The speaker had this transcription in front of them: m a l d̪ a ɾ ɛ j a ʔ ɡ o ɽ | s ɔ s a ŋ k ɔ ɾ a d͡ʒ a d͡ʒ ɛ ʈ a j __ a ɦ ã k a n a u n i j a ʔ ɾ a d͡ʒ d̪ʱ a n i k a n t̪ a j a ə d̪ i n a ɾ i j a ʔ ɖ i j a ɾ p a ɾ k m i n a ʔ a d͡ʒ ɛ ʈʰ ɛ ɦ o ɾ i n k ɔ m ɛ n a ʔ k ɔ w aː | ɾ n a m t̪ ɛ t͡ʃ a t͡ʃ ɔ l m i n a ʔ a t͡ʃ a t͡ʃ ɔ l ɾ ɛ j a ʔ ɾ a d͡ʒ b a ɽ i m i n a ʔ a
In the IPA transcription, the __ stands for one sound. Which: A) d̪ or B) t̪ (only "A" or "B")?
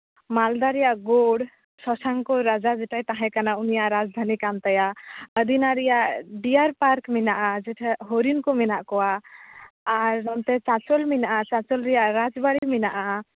B